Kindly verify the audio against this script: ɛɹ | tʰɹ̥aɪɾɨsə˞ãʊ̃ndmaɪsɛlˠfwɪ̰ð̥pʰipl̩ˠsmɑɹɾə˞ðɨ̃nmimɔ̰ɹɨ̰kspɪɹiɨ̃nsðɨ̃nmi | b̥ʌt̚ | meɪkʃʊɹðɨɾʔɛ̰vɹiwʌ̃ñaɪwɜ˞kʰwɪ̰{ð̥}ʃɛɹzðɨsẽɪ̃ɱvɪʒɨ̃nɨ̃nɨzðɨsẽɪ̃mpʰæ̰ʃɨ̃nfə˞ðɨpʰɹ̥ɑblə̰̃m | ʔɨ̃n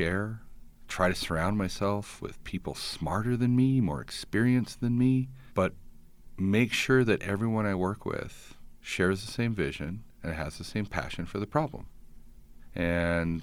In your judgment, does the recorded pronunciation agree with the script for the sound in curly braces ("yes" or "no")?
yes